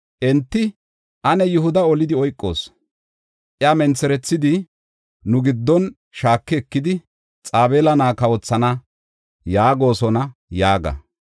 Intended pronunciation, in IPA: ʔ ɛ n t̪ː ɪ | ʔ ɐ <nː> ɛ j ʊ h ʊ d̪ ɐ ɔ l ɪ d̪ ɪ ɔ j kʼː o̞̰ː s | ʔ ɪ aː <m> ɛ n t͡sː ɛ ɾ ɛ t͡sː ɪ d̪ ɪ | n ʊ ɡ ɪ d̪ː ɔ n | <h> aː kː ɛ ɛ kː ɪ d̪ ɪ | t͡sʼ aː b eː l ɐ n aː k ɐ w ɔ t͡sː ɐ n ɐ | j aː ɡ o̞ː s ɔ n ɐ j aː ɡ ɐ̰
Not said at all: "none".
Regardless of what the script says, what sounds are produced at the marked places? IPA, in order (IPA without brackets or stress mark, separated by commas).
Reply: n, m, ʃ